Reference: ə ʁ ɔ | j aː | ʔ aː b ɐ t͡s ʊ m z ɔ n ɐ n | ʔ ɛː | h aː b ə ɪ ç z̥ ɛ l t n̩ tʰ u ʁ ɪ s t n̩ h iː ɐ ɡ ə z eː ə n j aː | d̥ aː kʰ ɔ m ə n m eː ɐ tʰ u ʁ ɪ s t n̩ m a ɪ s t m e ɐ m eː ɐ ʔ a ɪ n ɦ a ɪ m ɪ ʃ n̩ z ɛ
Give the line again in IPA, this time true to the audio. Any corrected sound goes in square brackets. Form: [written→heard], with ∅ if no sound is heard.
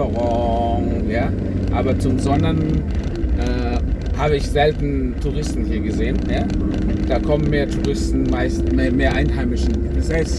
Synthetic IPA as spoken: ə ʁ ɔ | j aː | ʔ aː b ɐ t͡s ʊ m z ɔ n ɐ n | ʔ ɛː | h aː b ə ɪ ç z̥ ɛ l t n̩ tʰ u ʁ ɪ s t n̩ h iː ɐ ɡ ə z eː ə n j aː | d̥ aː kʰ ɔ m ə n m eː ɐ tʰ u ʁ ɪ s t n̩ m a ɪ s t m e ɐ m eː ɐ ʔ a ɪ n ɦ a ɪ m ɪ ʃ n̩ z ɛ